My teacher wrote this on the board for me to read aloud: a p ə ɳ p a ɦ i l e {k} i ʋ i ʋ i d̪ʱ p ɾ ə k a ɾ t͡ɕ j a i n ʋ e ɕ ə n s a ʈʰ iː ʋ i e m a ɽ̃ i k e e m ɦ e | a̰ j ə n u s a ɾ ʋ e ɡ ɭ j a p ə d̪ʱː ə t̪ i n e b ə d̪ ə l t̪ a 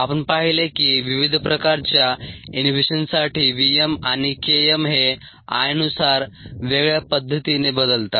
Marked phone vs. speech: correct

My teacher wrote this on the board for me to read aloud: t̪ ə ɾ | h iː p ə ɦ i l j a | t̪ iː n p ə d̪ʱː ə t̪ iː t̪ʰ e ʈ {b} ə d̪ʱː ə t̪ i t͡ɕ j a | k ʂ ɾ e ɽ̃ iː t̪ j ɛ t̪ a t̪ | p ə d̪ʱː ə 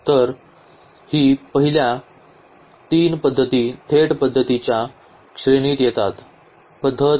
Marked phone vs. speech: incorrect: p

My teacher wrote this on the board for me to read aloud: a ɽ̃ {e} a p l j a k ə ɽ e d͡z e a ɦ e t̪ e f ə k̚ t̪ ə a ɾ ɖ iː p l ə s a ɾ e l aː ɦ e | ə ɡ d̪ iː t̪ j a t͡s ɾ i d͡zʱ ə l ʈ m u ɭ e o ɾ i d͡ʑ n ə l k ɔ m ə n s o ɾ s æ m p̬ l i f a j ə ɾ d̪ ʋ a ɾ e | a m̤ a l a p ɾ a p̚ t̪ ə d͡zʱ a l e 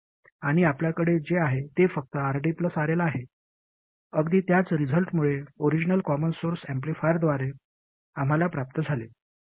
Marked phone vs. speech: incorrect: i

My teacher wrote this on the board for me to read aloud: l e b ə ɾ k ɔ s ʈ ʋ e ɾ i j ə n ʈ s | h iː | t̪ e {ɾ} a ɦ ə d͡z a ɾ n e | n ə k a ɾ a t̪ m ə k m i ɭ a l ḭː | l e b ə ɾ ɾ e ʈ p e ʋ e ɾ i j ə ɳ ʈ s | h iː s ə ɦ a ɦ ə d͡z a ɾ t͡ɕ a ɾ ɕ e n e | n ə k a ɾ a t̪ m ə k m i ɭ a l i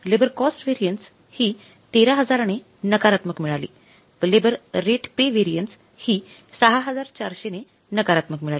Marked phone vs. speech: correct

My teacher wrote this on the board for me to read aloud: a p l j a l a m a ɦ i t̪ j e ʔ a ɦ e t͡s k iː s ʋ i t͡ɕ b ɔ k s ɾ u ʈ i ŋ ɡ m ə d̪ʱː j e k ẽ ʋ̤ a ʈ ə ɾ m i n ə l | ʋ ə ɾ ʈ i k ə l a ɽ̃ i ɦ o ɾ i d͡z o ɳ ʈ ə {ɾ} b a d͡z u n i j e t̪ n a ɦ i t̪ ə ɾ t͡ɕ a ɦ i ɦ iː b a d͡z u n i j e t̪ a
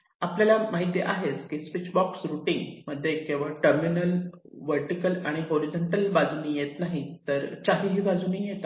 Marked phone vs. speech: incorrect: l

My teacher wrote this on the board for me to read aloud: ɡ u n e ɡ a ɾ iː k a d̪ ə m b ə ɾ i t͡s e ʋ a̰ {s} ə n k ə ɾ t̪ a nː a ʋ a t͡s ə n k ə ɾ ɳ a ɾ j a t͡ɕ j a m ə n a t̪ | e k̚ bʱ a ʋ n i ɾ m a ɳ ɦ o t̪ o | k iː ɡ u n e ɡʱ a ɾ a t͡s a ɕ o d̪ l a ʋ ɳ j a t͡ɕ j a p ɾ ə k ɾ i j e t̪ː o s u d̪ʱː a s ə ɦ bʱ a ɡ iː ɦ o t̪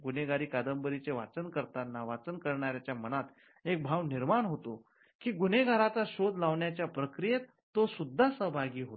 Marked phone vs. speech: incorrect: t͡s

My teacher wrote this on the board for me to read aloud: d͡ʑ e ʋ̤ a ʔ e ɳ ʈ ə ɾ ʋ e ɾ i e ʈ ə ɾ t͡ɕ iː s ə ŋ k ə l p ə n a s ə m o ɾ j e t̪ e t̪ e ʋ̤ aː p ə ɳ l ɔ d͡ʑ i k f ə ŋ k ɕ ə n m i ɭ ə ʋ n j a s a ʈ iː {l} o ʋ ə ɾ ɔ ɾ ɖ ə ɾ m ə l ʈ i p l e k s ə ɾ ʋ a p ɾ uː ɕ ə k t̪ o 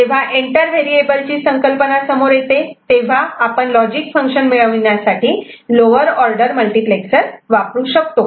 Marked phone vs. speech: correct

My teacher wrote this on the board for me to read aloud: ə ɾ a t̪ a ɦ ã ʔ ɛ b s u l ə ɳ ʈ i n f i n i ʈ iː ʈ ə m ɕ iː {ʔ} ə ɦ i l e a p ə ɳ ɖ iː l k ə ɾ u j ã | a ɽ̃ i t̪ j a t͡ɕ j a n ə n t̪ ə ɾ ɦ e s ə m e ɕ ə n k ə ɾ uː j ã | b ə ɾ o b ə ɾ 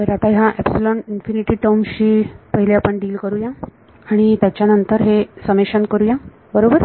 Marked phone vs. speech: incorrect: p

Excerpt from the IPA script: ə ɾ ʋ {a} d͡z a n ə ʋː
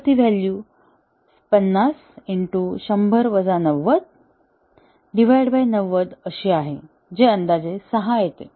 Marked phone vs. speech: incorrect: ə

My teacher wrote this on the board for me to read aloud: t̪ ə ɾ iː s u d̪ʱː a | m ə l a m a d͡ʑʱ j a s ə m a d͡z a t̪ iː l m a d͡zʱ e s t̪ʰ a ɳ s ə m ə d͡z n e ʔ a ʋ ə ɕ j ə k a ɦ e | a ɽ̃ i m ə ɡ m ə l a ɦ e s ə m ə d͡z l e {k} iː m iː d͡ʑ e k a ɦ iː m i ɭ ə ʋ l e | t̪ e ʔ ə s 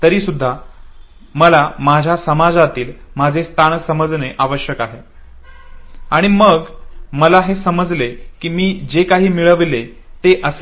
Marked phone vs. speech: correct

